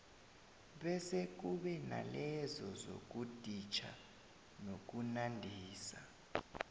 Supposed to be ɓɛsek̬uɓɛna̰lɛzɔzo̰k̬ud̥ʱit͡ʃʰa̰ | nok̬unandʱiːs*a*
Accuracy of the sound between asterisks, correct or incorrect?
correct